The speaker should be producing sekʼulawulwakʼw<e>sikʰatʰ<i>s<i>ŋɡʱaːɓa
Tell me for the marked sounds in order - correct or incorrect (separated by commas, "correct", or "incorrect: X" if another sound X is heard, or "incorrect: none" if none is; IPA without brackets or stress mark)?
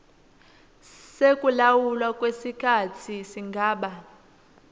correct, correct, correct